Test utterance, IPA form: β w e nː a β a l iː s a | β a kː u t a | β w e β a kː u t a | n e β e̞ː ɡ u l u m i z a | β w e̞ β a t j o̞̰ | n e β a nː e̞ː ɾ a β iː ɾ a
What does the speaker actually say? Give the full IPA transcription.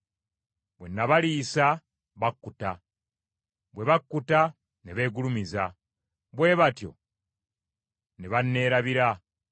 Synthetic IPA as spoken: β w e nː a β a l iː s a | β a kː u t a | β w e β a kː u t a | n e β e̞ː ɡ u l u m i z a | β w e̞ β a t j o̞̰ | n e β a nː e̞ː ɾ a β i ɾ a